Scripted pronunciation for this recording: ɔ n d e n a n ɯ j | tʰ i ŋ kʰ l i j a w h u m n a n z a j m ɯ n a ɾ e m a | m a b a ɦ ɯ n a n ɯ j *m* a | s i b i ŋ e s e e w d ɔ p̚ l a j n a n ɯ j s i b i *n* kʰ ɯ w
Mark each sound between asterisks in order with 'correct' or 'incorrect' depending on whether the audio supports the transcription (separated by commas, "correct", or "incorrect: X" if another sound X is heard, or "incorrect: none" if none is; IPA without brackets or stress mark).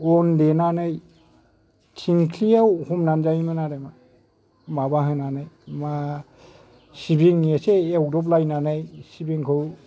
correct, incorrect: ŋ